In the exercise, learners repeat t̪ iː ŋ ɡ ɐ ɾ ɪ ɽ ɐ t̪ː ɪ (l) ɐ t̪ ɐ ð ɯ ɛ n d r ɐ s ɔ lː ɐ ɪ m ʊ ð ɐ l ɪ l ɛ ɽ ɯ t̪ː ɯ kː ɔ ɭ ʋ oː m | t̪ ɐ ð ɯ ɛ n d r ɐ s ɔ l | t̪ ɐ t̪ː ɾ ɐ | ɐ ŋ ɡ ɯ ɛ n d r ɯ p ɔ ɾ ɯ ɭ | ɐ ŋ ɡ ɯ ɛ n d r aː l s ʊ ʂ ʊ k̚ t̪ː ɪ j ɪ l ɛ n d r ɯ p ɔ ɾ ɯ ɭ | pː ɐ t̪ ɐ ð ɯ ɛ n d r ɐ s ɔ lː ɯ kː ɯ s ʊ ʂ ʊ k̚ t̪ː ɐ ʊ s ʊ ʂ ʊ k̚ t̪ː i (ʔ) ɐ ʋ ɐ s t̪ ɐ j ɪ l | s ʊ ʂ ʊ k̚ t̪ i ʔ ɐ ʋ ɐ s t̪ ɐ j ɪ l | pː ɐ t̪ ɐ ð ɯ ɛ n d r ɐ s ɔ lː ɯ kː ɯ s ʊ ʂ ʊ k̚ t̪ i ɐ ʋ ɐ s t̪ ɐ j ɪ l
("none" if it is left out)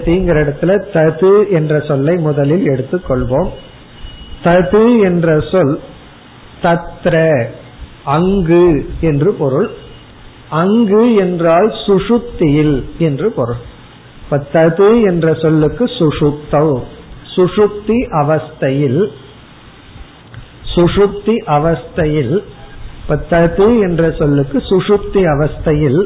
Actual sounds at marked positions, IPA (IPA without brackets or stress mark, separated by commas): l, ʔ